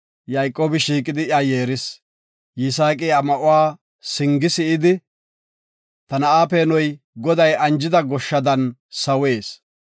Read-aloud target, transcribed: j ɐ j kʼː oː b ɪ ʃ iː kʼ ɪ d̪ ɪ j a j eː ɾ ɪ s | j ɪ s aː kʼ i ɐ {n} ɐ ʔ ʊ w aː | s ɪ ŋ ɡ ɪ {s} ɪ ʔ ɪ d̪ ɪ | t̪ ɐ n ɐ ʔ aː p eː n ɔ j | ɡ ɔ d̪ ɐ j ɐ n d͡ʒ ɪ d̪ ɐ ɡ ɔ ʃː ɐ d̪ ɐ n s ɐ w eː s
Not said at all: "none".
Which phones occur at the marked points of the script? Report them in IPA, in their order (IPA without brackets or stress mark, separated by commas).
m, s